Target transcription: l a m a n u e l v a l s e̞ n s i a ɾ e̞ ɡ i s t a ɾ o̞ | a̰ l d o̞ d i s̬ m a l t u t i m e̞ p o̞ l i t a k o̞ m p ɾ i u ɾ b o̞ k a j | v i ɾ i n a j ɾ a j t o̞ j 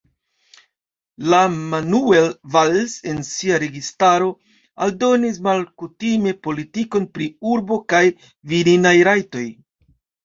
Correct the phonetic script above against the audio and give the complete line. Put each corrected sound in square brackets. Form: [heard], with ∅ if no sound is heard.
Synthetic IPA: l a m a n u e l v a l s e̞ n s i a ɾ e̞ ɡ i s t a ɾ o̞ | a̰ l d o̞ [n] i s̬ m a l [k] u t i m e̞ p o̞ l i t [i] k o̞ [n] p ɾ i u ɾ b o̞ k a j | v i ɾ i n a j ɾ a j t o̞ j